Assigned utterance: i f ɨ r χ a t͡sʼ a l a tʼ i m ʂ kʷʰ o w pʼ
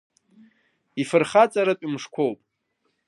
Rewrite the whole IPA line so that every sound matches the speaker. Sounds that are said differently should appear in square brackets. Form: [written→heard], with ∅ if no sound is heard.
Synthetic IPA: i f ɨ r χ a t͡sʼ a [l→ɾ] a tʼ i m ʂ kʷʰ o w pʼ